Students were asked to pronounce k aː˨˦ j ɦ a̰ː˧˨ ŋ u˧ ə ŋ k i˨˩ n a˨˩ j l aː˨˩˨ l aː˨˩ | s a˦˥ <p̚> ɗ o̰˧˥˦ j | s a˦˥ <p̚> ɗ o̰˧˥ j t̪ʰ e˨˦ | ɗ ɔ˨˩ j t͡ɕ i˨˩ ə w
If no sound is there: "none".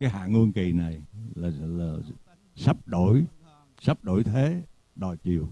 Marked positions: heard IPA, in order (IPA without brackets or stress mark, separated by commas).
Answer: p̚, p̚